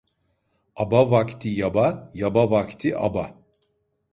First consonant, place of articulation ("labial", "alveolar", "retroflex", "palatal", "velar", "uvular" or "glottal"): labial